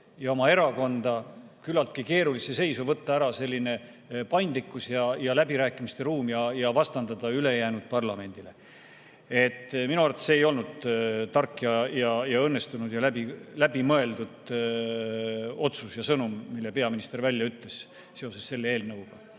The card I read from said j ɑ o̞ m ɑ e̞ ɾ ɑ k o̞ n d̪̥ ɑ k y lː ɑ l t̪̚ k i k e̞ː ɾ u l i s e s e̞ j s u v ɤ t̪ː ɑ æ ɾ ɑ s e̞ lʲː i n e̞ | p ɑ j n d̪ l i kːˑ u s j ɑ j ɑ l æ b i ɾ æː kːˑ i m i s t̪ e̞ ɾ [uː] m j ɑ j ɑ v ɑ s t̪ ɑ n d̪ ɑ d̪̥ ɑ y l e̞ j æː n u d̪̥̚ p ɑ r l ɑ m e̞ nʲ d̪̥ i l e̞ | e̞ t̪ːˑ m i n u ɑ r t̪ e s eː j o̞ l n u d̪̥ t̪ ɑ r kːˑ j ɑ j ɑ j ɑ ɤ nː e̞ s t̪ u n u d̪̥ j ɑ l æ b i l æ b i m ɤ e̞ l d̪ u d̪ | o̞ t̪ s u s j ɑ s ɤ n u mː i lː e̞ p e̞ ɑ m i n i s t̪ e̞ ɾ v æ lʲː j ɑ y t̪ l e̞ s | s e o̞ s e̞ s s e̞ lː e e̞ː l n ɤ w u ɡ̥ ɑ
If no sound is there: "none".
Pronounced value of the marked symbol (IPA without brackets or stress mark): uː